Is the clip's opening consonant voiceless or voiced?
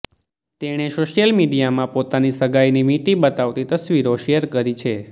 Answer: voiceless